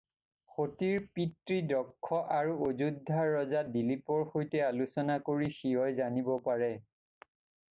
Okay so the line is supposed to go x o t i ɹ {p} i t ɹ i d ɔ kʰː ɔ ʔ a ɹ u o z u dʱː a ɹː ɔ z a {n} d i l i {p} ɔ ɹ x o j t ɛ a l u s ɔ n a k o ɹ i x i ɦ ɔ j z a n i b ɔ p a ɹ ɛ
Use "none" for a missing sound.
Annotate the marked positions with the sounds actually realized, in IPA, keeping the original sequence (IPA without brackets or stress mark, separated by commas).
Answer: p, none, p